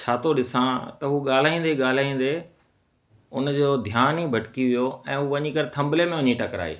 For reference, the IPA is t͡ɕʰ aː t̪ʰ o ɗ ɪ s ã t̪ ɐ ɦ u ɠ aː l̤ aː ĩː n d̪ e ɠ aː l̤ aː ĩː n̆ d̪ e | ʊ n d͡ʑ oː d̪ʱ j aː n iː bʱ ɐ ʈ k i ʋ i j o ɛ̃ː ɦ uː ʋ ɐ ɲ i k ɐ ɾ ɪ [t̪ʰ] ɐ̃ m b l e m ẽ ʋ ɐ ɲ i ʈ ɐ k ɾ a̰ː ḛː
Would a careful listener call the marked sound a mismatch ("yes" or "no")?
no